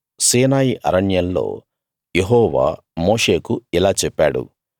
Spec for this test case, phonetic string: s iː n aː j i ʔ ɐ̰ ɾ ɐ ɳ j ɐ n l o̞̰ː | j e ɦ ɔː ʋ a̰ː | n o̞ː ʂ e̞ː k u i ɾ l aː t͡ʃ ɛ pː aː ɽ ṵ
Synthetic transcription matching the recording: s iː n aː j i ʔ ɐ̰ ɾ ɐ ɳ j ɐ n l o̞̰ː | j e ɦ ɔː ʋ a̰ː | m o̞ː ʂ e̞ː k u i l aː t͡ʃ ɛ pː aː ɽ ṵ